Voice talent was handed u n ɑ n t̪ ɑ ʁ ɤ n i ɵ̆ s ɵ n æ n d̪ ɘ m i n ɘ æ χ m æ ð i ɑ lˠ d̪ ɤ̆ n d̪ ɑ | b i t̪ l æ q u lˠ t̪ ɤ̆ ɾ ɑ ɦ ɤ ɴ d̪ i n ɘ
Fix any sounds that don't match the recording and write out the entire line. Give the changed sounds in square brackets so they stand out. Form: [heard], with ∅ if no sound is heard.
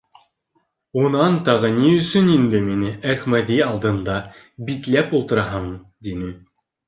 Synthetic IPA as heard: u n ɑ n t̪ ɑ ʁ ɤ n i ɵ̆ s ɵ n [i] n d̪ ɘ m i n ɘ æ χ m æ ð i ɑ lˠ d̪ ɤ̆ n d̪ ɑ | b i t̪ l æ [p] u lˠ t̪ ɤ̆ ɾ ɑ ɦ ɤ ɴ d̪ i n ɘ